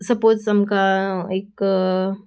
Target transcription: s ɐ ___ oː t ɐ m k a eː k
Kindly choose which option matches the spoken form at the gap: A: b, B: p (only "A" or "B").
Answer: B